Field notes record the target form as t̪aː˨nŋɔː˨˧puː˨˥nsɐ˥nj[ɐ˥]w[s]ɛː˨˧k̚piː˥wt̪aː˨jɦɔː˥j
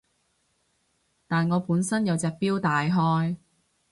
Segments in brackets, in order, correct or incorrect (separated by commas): incorrect, incorrect